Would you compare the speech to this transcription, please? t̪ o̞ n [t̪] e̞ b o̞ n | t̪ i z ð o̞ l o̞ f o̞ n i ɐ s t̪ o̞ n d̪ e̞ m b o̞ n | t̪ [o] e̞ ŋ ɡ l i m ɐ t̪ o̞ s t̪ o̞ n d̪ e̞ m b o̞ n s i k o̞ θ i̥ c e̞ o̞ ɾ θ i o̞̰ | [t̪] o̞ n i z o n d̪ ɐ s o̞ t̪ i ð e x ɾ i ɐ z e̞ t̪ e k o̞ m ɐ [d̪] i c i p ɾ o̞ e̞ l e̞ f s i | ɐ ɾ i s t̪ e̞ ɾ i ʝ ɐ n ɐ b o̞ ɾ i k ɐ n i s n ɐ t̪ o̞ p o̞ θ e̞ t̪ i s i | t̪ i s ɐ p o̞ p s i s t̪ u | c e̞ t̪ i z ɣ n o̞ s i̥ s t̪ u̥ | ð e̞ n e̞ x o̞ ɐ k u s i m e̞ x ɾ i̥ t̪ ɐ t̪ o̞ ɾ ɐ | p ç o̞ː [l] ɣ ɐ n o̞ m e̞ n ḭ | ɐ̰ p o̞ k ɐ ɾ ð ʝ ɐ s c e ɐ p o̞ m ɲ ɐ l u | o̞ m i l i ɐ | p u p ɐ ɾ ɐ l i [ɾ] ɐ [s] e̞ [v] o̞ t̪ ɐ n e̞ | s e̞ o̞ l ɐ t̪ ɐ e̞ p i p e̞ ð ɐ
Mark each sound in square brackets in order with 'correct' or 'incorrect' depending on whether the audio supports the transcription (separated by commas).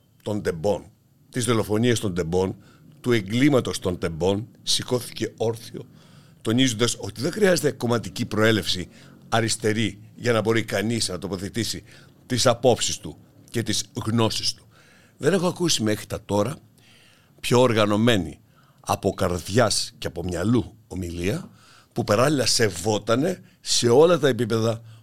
incorrect, incorrect, correct, incorrect, incorrect, incorrect, correct, correct